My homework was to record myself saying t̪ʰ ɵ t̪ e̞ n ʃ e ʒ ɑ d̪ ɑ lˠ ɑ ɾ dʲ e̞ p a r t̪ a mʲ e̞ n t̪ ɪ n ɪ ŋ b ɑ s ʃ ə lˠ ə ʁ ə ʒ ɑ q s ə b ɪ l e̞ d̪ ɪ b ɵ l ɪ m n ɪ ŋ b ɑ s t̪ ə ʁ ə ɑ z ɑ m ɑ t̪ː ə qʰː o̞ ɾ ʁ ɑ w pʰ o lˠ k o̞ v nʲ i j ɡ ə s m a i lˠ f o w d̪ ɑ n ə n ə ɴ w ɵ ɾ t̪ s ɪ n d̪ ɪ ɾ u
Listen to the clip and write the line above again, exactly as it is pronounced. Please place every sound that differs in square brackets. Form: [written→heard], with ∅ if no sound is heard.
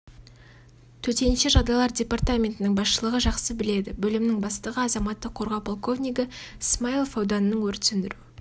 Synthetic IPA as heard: t̪ʰ ɵ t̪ e̞ n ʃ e ʒ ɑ d̪ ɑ lˠ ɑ ɾ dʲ e̞ p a r t̪ a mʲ e̞ n t̪ ɪ n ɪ ŋ b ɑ s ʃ ə lˠ ə ʁ ə ʒ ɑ q s ə b ɪ l e̞ d̪ ɪ b ɵ l ɪ m n ɪ ŋ b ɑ s t̪ ə ʁ ə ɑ z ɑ m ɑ t̪ː ə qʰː o̞ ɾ ʁ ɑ w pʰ o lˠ k o̞ v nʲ i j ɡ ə s m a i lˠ f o w d̪ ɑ n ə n ə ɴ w ɵ ɾ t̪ s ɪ n d̪ ɪ ɾ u